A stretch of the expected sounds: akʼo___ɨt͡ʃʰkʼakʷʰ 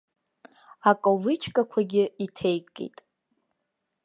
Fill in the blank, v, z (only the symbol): v